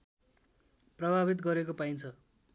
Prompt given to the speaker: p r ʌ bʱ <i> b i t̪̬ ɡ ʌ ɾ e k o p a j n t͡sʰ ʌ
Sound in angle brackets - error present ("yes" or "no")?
yes